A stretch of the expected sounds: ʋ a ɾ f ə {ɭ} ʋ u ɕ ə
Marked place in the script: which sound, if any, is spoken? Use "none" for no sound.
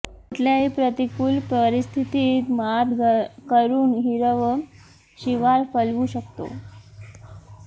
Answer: l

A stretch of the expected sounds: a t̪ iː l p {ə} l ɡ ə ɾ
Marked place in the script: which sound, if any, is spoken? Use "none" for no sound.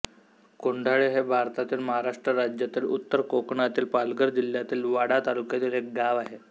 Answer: a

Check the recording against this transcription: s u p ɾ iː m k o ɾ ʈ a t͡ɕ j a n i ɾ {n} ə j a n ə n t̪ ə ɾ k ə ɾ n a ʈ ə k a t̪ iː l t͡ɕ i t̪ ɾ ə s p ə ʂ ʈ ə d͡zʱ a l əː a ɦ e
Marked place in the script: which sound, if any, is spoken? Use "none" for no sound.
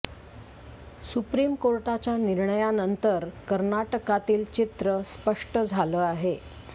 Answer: ɳ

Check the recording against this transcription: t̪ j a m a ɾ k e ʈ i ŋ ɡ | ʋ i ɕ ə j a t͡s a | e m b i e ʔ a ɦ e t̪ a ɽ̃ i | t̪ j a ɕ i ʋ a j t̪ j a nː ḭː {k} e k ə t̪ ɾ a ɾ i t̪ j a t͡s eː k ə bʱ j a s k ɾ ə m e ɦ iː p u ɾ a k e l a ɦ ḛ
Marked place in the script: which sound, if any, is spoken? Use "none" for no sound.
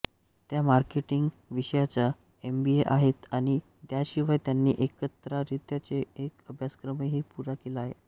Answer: ʔ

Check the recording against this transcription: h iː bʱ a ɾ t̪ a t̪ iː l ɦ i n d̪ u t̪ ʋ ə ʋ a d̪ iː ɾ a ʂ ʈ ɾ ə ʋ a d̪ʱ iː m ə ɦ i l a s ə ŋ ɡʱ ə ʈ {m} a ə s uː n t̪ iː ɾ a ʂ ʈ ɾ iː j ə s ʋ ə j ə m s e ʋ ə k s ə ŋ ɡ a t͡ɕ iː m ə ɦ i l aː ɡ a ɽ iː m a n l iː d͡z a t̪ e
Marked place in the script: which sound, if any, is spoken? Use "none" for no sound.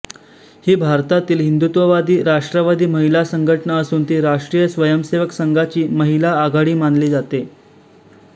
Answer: ɳ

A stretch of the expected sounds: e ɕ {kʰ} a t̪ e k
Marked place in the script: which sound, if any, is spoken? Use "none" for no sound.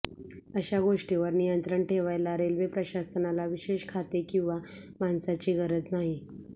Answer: kʰ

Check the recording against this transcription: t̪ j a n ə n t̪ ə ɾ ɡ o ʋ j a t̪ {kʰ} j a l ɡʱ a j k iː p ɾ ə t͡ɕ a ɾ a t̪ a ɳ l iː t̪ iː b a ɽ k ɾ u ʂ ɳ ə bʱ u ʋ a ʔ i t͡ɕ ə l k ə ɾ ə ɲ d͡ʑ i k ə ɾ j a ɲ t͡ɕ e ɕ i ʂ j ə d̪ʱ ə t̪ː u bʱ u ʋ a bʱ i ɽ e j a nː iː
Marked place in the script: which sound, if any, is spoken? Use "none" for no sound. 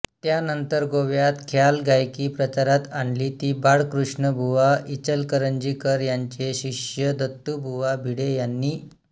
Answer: kʰ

